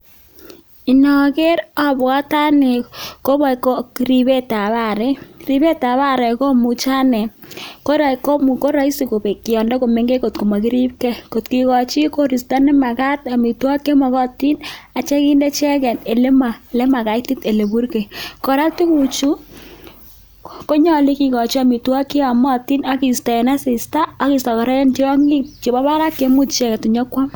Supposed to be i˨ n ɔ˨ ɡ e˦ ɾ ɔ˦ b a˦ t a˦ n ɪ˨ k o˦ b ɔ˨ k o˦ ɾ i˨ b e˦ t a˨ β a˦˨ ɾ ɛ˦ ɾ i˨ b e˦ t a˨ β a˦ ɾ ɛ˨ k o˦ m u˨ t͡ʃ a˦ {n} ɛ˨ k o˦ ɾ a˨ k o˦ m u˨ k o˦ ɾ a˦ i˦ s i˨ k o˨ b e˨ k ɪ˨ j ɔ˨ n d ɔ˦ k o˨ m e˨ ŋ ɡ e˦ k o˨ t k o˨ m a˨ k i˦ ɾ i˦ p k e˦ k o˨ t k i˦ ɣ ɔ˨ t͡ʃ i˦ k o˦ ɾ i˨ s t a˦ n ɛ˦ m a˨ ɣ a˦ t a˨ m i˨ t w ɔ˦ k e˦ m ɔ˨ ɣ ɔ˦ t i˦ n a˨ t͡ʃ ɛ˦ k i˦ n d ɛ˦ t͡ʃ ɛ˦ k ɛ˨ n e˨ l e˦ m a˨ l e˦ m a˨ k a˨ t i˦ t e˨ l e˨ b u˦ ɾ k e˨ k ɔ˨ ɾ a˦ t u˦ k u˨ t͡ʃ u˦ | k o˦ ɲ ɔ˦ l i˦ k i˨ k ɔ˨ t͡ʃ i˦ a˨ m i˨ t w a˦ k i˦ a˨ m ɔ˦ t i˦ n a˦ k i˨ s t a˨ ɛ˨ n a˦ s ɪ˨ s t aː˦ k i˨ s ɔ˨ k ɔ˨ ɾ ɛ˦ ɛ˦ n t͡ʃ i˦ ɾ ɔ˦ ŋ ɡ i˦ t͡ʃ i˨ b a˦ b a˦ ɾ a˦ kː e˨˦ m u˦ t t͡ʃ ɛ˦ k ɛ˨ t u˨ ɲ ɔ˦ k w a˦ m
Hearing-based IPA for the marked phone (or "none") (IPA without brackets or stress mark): n